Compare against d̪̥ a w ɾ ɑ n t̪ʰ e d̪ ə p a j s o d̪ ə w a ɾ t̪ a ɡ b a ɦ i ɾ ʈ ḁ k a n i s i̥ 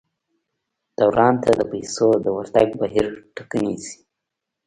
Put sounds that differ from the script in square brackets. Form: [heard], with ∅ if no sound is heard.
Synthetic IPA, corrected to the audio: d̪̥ a w ɾ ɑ n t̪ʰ [a] d̪ ə p a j s o d̪ ə w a ɾ t̪ a ɡ b a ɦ i ɾ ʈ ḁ k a n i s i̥